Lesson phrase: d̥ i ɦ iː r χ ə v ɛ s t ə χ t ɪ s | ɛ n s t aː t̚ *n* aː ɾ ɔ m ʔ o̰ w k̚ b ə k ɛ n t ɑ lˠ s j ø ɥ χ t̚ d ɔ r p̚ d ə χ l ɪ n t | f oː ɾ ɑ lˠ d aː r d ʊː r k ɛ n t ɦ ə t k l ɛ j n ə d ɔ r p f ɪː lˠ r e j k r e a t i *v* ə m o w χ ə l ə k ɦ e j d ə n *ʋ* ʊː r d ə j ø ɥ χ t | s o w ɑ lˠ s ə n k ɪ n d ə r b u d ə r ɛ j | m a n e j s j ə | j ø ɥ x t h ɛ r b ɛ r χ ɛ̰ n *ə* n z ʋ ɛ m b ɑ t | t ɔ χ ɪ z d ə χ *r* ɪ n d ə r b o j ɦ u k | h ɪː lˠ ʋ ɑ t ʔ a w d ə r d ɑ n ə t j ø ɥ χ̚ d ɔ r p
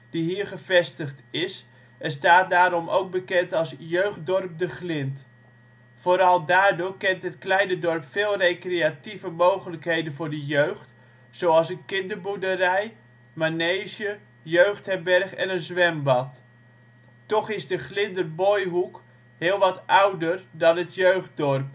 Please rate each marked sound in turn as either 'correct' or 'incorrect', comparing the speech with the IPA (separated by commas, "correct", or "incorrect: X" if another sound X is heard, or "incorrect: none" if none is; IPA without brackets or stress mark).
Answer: incorrect: d, correct, incorrect: v, correct, incorrect: l